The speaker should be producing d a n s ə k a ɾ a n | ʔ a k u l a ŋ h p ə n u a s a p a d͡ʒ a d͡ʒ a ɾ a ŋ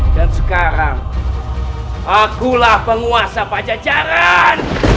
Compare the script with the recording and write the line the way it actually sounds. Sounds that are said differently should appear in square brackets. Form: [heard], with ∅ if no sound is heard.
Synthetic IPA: d a n s ə k a ɾ a [ŋ] | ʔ a k u l a [∅] h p ə [ŋ] u a s a p a d͡ʒ a d͡ʒ a ɾ a [n]